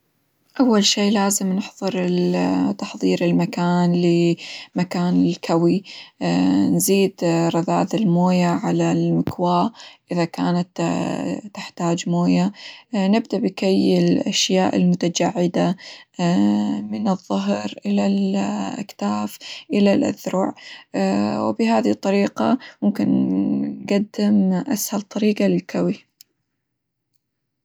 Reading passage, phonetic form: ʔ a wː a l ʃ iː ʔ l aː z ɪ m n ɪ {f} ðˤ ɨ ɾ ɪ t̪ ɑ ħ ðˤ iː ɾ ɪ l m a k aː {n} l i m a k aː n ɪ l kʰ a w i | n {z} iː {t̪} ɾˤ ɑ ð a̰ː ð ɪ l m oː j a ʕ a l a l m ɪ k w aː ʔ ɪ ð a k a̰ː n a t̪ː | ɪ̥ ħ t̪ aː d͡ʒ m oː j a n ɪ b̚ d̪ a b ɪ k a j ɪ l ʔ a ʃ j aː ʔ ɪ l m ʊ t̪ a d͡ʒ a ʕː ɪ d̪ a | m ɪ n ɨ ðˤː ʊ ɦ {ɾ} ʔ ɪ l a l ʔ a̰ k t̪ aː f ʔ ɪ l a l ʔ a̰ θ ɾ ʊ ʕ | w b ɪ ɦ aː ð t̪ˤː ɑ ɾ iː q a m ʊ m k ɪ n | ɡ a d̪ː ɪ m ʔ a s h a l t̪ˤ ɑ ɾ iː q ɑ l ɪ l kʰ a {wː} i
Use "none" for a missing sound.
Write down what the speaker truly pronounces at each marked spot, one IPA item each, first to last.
ħ, n, z, d̪, ɾ, w

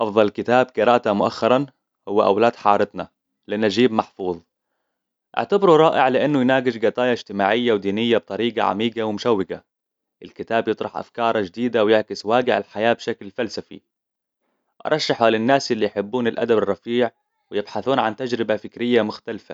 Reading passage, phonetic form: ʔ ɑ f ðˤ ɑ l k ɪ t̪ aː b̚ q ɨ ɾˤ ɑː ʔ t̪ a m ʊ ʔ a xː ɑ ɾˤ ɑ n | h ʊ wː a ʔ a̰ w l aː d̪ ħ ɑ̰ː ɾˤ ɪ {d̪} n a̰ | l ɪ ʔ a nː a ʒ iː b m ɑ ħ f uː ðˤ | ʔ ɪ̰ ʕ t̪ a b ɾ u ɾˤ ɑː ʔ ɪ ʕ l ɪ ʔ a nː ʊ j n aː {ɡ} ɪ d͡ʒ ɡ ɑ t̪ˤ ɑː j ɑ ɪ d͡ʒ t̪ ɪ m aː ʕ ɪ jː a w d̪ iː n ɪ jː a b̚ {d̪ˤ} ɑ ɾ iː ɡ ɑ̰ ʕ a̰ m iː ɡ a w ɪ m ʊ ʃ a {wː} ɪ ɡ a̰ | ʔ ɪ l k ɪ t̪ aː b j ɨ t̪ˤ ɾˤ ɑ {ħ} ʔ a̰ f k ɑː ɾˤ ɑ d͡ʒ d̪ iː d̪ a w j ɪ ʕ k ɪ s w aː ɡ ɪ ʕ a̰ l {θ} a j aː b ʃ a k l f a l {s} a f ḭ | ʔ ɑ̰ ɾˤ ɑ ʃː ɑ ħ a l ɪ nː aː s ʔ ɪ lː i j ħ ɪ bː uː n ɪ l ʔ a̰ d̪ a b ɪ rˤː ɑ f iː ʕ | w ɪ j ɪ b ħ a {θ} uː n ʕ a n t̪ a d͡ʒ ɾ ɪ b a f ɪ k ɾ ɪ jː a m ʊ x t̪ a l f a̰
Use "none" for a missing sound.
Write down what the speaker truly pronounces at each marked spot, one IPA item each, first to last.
t̪, ɡ, t̪ˤ, wː, ħ, ħ, s, θ

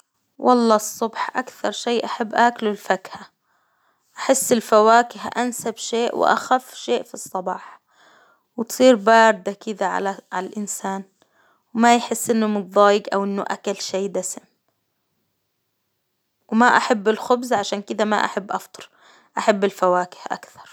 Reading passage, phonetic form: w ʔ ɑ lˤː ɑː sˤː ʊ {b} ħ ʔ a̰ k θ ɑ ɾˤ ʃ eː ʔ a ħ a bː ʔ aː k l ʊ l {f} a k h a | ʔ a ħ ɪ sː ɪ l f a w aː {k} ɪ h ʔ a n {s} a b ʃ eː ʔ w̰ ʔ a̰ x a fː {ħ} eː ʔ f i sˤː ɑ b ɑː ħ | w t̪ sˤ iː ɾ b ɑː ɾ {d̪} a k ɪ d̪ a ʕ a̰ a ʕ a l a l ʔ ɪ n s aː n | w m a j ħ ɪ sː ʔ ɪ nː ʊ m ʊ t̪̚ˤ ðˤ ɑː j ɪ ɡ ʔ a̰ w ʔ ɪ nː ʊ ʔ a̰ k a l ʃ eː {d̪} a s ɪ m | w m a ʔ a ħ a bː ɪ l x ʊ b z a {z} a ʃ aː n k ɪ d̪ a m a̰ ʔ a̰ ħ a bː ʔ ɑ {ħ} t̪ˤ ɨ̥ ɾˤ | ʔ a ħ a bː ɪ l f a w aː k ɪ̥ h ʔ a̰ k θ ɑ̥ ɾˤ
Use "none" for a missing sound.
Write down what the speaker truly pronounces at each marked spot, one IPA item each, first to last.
b, f, k, s, ʃ, d̪, d̪, ʕ, f

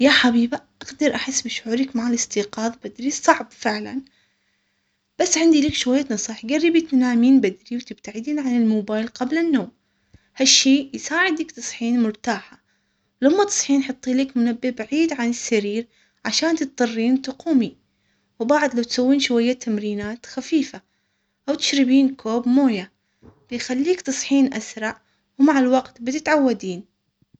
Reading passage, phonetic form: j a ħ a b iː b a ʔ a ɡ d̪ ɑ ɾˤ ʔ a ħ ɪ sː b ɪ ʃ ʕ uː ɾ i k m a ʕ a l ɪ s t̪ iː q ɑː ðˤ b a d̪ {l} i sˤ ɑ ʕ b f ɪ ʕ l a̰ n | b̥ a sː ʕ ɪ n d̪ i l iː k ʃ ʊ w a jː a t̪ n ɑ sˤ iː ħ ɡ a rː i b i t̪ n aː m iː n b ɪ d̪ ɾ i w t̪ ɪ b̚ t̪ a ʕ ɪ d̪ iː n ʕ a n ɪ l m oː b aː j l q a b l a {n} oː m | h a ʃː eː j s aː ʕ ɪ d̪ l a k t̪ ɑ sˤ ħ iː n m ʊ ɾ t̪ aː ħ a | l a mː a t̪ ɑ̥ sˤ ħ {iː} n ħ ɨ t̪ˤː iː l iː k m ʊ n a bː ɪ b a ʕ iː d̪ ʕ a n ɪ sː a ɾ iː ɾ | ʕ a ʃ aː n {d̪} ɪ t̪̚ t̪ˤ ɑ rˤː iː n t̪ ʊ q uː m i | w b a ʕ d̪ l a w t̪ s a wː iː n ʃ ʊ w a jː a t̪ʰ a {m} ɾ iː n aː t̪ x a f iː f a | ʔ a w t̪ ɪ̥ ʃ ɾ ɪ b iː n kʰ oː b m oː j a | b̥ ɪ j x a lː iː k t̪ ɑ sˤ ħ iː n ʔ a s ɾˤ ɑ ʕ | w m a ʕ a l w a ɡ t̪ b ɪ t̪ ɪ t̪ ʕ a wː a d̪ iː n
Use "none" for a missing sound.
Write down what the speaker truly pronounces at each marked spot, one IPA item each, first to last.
ɾ, nː, iː, t̪, m

